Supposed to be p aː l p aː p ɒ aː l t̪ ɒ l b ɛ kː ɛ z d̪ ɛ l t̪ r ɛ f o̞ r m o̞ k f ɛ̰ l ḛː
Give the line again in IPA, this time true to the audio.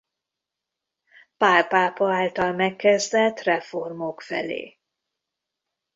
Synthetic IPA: p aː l p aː p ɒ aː l t̪ ɒ l m ɛ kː ɛ z d̪ ɛ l t̪ r ɛ f o̞ r m o̞ k f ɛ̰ l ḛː

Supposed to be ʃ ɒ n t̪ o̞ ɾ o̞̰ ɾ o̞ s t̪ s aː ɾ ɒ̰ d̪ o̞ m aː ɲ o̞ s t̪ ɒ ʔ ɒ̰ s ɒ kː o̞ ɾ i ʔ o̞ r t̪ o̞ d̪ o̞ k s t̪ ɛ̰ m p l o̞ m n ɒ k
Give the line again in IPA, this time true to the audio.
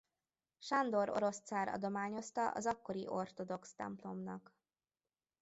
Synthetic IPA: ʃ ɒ n d̪ o̞ ɾ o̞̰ ɾ o̞ s t̪ s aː ɾ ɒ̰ d̪ o̞ m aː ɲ o̞ s t̪ ɒ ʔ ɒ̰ z ɒ kː o̞ ɾ i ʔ o̞ r t̪ o̞ d̪ o̞ k s t̪ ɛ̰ m p l o̞ m n ɒ k

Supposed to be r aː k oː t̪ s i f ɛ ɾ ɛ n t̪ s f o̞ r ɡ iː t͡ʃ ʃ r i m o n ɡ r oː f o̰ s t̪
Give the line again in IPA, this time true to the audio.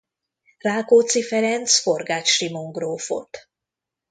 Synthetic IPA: r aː k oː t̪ s i f ɛ ɾ ɛ n t̪ s f o̞ r ɡ aː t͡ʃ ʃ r i m o ŋ ɡ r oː f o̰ t̪

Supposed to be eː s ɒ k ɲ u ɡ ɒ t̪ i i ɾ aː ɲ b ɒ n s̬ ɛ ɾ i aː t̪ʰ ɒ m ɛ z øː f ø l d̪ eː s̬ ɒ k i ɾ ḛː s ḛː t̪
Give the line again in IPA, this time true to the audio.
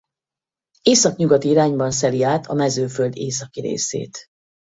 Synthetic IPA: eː s ɒ k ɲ u ɡ ɒ t̪ i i ɾ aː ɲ b ɒ n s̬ ɛ l i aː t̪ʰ ɒ m ɛ z øː f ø l d̪ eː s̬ ɒ k i ɾ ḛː s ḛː t̪

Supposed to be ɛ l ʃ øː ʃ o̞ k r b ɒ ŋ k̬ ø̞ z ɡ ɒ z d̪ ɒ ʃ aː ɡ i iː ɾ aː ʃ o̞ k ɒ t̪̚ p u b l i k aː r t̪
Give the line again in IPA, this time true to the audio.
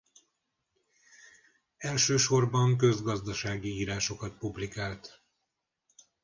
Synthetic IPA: ɛ l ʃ øː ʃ o̞ r b ɒ ŋ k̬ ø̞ z ɡ ɒ z d̪ ɒ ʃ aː ɡ i iː ɾ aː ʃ o̞ k ɒ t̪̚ p u b l i k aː l t̪

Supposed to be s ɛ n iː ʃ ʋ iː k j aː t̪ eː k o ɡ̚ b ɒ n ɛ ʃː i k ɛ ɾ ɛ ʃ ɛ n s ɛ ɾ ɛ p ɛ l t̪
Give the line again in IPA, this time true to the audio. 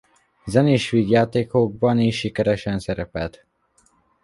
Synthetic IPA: z ɛ n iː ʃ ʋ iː ɡ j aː t̪ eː k o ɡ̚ b ɒ n i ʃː i k ɛ ɾ ɛ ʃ ɛ n s ɛ ɾ ɛ p ɛ l t̪

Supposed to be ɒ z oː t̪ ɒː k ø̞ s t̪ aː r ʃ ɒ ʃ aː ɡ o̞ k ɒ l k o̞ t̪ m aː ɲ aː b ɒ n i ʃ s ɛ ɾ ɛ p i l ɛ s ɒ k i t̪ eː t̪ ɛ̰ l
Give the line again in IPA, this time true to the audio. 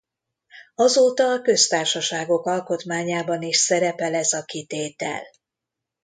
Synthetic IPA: ɒ z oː t̪ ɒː k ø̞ s t̪ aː r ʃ ɒ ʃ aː ɡ o̞ k ɒ l k o̞ t̪ m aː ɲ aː b ɒ n i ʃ s ɛ ɾ ɛ p ɛ l ɛ z ɒ k i t̪ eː t̪ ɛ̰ l

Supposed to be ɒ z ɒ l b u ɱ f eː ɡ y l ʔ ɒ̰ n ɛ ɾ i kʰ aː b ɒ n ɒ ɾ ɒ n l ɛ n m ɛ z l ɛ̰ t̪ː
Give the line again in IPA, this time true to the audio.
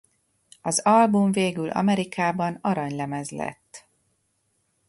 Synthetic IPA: ɒ z ɒ l b u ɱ v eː ɡ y l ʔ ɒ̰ m ɛ ɾ i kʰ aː b ɒ n ɒ ɾ ɒ ɲ l ɛ m ɛ z l ɛ̰ t̪ː

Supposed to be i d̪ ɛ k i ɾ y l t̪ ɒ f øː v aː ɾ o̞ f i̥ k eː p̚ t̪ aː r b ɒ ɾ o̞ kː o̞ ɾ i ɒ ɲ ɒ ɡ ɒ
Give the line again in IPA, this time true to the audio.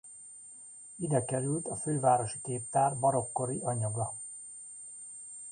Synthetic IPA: i d̪ ɛ k ɛ ɾ y l t̪ ɒ f øː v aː ɾ o̞ ʃ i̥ k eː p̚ t̪ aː r b ɒ ɾ o̞ kː o̞ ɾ i ɒ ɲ ɒ ɡ ɒ

